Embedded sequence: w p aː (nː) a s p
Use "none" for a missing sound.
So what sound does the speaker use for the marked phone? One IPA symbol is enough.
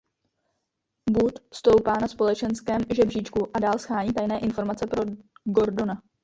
n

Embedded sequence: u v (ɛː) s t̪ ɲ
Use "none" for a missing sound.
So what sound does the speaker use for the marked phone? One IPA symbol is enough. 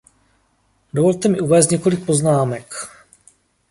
ɛː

